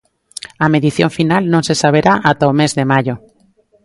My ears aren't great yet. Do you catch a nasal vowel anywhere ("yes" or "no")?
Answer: yes